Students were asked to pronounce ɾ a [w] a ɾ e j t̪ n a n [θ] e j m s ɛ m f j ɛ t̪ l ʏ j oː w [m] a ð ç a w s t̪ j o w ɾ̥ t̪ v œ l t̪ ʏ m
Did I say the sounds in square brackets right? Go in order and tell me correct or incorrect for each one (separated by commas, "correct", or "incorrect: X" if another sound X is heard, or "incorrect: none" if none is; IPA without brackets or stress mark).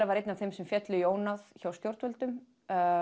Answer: incorrect: v, correct, incorrect: n